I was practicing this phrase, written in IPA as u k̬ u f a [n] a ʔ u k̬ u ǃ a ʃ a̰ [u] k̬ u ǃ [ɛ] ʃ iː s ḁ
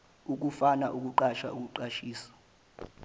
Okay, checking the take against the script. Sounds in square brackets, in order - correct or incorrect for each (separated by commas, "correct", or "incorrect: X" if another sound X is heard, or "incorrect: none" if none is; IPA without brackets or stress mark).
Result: correct, correct, incorrect: a